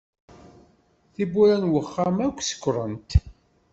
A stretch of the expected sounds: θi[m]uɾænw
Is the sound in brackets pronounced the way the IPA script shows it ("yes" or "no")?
no